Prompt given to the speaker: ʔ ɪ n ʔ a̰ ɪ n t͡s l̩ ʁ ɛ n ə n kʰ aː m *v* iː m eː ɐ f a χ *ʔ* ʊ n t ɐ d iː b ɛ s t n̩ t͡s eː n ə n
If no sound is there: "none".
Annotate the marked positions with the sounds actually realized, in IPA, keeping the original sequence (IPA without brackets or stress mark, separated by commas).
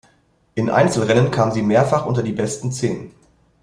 z, ʔ